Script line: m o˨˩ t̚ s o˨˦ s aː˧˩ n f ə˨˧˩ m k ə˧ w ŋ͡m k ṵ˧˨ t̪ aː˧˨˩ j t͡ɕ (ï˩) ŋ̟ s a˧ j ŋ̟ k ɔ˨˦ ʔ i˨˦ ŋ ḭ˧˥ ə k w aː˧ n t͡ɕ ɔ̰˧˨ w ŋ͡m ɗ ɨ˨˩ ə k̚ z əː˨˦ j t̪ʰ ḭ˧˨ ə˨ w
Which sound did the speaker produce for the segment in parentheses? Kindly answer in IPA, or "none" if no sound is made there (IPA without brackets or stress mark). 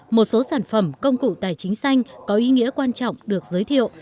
ï˨˦